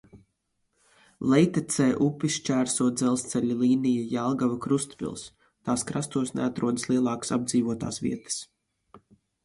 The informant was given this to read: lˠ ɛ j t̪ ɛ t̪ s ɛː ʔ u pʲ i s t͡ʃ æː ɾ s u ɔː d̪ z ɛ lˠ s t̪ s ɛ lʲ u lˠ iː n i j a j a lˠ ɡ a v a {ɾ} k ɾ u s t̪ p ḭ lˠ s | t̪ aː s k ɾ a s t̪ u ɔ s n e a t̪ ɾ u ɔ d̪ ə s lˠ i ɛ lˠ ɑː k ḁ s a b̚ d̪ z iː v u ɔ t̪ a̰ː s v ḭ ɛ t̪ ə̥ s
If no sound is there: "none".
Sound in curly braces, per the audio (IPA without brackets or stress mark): none